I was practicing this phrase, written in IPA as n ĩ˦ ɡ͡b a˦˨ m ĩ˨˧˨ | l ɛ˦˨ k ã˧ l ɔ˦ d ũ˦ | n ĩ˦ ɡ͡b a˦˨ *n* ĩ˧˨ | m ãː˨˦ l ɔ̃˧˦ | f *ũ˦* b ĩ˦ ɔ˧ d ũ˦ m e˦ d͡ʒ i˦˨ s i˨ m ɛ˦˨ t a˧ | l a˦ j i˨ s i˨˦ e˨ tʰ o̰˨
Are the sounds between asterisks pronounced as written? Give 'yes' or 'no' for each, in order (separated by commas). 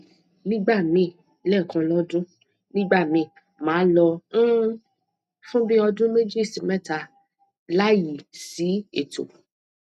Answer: no, yes